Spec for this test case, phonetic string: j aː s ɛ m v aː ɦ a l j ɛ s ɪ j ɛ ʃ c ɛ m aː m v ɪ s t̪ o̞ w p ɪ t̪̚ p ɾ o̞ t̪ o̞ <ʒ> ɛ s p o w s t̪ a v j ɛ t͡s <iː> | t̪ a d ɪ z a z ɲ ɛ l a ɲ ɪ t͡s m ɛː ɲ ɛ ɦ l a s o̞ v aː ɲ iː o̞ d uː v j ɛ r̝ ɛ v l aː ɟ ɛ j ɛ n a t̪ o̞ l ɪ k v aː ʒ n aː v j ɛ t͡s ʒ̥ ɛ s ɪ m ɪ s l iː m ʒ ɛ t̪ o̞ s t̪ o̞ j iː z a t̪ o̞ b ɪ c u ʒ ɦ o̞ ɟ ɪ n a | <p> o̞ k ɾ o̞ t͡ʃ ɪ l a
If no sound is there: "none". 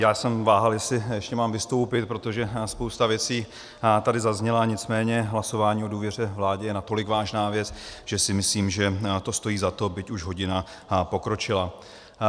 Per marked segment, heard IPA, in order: ʒ, iː, p

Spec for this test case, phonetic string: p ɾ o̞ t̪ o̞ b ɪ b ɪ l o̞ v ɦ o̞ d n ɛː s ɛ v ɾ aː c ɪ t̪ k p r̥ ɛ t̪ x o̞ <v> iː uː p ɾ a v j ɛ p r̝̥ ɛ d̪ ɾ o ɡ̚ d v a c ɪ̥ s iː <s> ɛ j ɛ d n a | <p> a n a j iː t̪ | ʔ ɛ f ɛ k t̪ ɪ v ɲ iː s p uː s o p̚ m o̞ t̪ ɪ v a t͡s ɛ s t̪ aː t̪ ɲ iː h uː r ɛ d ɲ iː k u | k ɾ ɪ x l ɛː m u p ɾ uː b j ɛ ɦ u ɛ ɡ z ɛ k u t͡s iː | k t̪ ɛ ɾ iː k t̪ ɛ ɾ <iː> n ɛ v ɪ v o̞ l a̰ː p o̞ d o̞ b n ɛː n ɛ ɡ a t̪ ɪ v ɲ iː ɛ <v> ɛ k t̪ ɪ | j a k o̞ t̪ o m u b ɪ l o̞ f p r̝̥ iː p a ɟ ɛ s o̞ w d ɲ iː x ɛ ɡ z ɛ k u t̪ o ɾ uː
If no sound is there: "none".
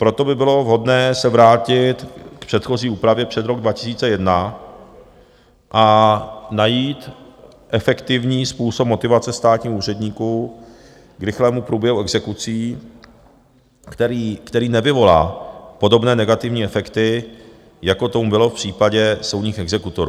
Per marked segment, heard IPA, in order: z, t͡s, ʔ, iː, f

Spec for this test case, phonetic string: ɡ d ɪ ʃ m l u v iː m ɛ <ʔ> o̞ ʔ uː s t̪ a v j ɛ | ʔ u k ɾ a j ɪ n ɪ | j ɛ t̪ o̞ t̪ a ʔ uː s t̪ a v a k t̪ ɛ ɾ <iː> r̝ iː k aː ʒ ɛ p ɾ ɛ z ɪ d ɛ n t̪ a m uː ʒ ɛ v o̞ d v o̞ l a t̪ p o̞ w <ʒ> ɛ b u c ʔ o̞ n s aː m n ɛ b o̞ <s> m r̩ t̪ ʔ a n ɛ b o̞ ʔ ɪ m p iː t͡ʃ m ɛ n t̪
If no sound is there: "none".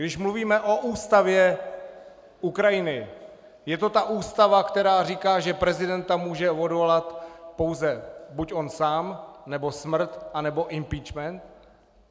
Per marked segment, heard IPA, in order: ʔ, aː, z, s

